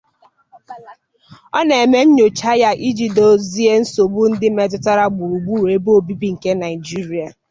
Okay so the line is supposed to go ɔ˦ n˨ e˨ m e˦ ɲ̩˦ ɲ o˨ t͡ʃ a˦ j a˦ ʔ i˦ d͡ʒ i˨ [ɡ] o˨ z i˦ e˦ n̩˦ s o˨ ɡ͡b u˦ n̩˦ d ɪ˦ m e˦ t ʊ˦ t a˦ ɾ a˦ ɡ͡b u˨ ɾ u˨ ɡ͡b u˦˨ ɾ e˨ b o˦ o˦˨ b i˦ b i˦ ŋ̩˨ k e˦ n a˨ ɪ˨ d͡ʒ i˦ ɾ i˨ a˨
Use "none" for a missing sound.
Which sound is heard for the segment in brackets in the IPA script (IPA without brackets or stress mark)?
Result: d